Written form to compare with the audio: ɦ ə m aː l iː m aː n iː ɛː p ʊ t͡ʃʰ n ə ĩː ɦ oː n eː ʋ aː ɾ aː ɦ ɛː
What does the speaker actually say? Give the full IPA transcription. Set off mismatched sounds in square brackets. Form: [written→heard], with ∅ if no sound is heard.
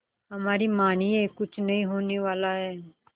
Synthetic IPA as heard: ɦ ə m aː [l→ɾ] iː m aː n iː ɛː [p→k] ʊ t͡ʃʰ n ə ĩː ɦ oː n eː ʋ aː [ɾ→l] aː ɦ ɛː